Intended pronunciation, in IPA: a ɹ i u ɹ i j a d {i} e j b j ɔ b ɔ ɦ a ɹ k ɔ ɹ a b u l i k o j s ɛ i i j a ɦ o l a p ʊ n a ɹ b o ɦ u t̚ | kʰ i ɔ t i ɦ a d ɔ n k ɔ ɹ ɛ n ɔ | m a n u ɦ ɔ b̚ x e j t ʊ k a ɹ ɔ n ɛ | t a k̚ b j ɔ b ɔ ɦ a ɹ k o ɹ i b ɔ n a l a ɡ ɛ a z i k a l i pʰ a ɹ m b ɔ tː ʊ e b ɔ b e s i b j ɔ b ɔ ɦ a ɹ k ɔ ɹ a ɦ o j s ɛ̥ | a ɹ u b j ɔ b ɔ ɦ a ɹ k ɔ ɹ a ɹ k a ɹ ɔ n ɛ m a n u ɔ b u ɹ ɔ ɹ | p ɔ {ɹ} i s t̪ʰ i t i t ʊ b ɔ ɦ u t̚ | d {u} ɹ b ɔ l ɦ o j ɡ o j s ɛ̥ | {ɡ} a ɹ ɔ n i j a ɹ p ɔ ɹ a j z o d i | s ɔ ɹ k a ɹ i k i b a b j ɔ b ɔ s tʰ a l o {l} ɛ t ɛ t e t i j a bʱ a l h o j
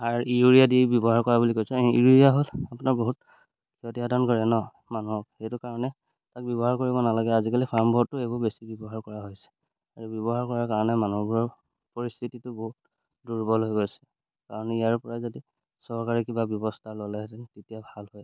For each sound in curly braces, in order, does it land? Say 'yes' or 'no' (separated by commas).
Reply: yes, yes, yes, no, yes